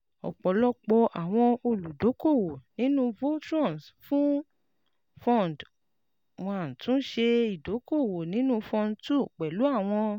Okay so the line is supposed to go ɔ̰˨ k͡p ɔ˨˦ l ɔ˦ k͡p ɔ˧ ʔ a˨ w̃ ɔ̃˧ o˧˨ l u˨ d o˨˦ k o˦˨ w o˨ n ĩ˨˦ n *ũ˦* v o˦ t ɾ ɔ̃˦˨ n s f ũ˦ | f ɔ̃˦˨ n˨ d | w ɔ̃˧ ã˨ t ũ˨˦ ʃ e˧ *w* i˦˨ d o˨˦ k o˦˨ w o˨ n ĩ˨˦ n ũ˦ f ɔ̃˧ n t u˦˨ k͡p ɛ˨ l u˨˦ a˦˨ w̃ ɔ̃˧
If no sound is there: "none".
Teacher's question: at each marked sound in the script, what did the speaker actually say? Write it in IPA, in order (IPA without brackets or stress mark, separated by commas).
ũ˦, none